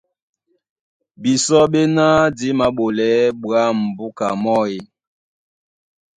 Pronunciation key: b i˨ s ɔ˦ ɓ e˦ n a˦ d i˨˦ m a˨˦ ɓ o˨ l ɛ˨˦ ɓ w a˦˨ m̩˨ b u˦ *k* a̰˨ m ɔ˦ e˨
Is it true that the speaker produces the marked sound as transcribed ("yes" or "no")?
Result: yes